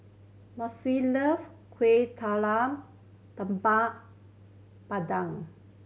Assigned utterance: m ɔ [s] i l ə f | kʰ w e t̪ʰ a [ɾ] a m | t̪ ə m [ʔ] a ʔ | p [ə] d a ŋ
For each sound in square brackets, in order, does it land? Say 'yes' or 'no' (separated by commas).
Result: yes, no, no, no